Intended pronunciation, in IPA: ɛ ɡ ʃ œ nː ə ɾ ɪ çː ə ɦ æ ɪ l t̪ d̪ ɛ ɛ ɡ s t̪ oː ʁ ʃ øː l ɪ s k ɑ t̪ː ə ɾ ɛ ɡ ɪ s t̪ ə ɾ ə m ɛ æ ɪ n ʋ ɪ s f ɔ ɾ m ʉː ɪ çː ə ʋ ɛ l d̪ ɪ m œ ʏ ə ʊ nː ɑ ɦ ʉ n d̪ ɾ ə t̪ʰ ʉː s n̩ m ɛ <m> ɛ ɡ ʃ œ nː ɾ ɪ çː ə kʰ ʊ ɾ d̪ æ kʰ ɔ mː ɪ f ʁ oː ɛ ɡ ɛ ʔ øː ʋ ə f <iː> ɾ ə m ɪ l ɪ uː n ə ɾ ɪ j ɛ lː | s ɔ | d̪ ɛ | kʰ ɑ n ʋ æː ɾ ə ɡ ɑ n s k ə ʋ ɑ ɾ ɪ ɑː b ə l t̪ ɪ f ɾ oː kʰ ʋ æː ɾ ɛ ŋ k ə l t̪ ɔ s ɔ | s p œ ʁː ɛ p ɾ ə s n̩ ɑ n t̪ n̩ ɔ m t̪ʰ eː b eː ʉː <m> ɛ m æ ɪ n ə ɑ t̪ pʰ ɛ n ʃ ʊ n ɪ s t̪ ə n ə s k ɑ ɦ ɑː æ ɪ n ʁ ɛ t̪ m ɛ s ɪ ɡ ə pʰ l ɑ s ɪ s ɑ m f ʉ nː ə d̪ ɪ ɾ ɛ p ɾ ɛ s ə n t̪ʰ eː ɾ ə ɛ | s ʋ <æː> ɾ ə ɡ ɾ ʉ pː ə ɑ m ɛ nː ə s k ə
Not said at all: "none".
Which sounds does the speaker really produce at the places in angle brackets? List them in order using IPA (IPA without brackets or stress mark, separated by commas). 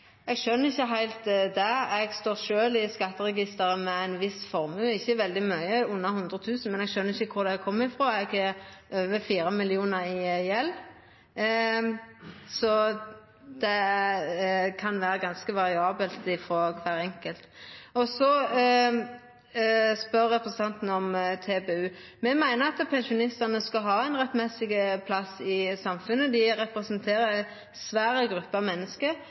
n, iː, m, æː